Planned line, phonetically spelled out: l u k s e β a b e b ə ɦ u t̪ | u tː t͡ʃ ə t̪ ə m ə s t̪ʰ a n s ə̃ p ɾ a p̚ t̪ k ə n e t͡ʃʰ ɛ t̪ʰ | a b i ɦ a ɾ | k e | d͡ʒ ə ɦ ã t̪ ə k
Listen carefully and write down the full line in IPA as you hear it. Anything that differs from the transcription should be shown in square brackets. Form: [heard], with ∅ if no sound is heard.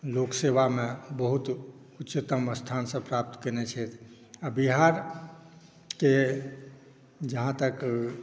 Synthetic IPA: l [o] k s e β a [m] e b ə ɦ u t̪ | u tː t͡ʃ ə t̪ ə m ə s t̪ʰ a n s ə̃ p ɾ a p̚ t̪ k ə n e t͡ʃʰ ɛ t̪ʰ | a b i ɦ a ɾ | k e | d͡ʒ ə ɦ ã t̪ ə k

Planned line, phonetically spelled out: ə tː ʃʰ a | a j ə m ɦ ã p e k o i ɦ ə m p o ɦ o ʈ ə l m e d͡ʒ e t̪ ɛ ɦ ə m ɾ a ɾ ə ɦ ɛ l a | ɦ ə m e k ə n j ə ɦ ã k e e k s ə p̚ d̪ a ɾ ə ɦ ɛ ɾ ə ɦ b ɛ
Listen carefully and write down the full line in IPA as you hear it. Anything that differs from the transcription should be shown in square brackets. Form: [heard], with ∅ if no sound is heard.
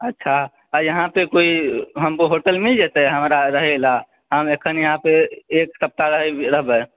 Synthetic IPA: ə tː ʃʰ a | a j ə [∅] ɦ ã p e k o i ɦ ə m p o ɦ o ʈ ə l m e d͡ʒ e t̪ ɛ ɦ ə m ɾ a ɾ ə ɦ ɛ l a | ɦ ə m e [kʰ] ə n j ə ɦ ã [p] e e k s ə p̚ [t̪] a ɾ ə ɦ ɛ ɾ ə ɦ b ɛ

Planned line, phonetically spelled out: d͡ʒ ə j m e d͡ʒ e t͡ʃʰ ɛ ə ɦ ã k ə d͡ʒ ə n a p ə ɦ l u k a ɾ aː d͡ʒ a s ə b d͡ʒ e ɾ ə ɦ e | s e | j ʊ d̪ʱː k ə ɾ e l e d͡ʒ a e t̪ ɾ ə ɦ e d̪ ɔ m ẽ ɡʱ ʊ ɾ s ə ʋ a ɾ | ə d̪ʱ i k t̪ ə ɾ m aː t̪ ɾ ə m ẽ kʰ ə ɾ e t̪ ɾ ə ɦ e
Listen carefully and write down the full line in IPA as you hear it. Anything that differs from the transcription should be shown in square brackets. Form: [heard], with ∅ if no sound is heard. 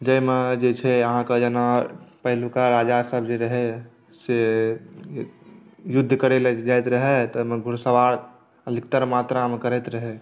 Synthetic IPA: d͡ʒ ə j m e d͡ʒ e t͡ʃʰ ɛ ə ɦ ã k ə d͡ʒ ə n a p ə ɦ l u k a ɾ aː d͡ʒ a s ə b d͡ʒ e ɾ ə ɦ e | s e | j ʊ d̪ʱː k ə ɾ e l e d͡ʒ a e t̪ ɾ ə ɦ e [t̪] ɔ m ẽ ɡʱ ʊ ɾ s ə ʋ a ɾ | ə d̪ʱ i k t̪ ə ɾ m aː t̪ ɾ [a] m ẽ [k] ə ɾ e t̪ ɾ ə ɦ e

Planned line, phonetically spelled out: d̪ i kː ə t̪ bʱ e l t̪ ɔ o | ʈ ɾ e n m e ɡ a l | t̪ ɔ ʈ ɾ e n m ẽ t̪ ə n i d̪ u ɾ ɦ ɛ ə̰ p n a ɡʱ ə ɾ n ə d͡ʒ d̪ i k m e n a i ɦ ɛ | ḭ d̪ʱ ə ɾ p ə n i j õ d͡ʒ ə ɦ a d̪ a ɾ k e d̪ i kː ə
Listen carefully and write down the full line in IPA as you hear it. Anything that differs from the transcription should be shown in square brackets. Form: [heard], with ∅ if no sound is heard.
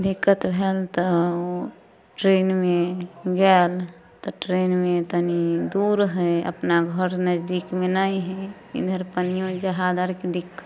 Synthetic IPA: d̪ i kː ə t̪ bʱ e l t̪ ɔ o | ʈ ɾ e n m e ɡ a l | t̪ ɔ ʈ ɾ e n m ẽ t̪ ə n i d̪ u ɾ ɦ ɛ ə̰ p n a ɡʱ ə ɾ n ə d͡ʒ d̪ i k m e n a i ɦ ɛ | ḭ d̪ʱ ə ɾ p ə n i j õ d͡ʒ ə ɦ a d̪ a ɾ k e d̪ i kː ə

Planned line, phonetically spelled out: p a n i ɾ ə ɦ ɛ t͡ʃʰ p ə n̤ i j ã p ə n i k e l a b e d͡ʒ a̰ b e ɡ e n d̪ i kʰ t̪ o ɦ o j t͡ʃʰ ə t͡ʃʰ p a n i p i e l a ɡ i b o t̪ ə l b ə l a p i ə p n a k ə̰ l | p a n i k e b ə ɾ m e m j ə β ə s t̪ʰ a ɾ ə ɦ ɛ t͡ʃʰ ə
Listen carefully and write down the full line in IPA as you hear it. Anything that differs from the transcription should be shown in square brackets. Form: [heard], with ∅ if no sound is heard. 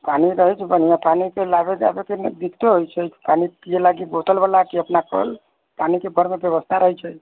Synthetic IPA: p a n i ɾ ə ɦ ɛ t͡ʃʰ [b] ə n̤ i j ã p [a] n i k e l a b e d͡ʒ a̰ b e [k] e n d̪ i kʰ t̪ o ɦ o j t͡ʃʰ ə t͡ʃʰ p a n i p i e l a ɡ i b o t̪ ə l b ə l a [k] i ə p n a k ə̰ l | p a n i k e b ə ɾ m e [b] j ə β ə s t̪ʰ a ɾ ə ɦ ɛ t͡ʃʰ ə

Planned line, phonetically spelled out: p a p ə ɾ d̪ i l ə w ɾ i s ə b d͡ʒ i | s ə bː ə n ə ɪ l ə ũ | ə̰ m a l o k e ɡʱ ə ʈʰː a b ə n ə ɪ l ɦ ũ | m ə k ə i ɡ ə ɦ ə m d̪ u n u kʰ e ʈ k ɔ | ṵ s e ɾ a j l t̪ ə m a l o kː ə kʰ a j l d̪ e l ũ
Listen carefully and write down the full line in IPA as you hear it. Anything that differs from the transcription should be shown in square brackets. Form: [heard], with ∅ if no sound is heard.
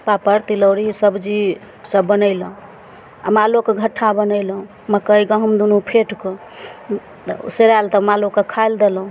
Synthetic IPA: p a p ə ɾ [t̪] i l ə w ɾ i s ə b d͡ʒ i | s ə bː ə n ə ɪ l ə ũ | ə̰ m a l o k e ɡʱ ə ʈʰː a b ə n ə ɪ l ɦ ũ | m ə k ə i ɡ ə ɦ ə m d̪ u n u [pʰ] e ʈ k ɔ | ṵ s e ɾ a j l t̪ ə m a l o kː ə kʰ a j l d̪ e l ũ

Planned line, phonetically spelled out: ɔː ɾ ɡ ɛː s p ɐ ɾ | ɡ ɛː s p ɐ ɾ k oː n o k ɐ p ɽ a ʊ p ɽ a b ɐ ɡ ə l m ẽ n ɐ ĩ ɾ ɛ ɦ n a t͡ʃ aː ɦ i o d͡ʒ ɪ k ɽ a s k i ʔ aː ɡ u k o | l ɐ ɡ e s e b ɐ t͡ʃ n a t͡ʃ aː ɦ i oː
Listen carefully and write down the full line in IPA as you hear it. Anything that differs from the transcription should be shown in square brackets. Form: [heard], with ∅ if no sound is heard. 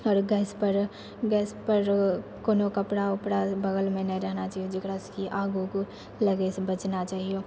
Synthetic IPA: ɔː ɾ ɡ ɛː s p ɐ ɾ | ɡ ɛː s p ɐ ɾ k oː n o k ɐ p ɽ a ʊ p ɽ a b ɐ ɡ ə l m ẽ n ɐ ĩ ɾ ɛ ɦ n a t͡ʃ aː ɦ i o d͡ʒ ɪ k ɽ a s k i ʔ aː ɡ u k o | l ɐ ɡ e s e b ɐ t͡ʃ n a t͡ʃ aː ɦ i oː

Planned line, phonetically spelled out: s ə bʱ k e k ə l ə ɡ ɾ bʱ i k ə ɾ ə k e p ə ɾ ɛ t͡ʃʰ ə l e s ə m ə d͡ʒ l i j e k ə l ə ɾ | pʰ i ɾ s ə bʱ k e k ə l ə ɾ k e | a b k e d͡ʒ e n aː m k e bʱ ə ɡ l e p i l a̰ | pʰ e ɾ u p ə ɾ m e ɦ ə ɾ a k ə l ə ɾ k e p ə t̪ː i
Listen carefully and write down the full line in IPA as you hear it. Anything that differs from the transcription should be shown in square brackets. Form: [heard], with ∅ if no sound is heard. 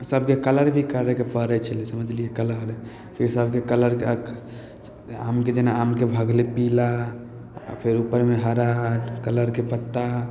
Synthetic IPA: s ə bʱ k e k ə l ə [∅] ɾ bʱ i k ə ɾ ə k e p ə ɾ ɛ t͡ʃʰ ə l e s ə m ə d͡ʒ l i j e k ə l ə ɾ | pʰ i ɾ s ə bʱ k e k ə l ə ɾ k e | a [m] k e d͡ʒ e n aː m k e bʱ ə ɡ l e p i l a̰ | pʰ e ɾ u p ə ɾ m e ɦ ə ɾ a k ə l ə ɾ k e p ə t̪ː [a]

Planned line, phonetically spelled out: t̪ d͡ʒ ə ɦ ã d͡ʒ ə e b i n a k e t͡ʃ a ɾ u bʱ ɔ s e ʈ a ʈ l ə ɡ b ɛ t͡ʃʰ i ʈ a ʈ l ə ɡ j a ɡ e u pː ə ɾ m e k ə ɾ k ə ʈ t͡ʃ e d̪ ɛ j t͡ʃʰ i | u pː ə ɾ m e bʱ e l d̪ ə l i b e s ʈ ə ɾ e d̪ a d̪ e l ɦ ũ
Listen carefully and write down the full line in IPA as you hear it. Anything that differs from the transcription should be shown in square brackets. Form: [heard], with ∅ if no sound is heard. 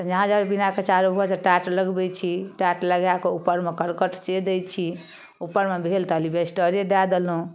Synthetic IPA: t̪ d͡ʒ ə ɦ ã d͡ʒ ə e b i n a k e t͡ʃ a ɾ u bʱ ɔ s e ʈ a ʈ l ə ɡ b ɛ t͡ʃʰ i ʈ a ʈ l ə ɡ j a [k] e u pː ə ɾ m e k ə ɾ k ə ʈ t͡ʃ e d̪ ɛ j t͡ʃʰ i | u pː ə ɾ m e bʱ e l [t̪] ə l i b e s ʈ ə ɾ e d̪ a d̪ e l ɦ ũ

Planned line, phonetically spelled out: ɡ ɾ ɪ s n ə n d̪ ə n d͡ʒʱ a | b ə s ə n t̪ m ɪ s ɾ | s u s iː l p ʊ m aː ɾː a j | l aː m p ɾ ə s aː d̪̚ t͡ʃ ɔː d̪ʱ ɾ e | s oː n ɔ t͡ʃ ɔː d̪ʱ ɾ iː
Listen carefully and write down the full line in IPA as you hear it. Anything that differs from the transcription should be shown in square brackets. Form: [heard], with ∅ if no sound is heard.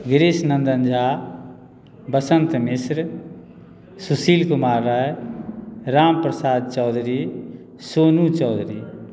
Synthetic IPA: ɡ ɾ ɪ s n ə n d̪ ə n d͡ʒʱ a | b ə s ə n t̪ m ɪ s ɾ | s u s iː l [k] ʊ m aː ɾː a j | [ɾ] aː m p ɾ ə s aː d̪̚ t͡ʃ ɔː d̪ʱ ɾ [i] | s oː n [u] t͡ʃ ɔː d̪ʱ ɾ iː

